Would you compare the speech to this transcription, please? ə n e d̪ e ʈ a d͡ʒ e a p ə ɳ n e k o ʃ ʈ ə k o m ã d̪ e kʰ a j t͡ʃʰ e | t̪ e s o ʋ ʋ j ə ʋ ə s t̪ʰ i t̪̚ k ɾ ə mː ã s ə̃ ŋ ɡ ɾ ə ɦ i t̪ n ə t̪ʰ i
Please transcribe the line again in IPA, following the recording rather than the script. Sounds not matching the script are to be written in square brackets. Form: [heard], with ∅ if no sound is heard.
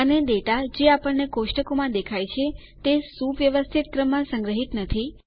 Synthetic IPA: ə n e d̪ e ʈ a d͡ʒ e a p ə ɳ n e k o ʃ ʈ ə k o m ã d̪ e kʰ a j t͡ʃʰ e | t̪ e s [u] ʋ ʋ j ə ʋ ə s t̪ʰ i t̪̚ k ɾ ə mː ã s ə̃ ŋ ɡ ɾ ə ɦ i t̪ n ə t̪ʰ i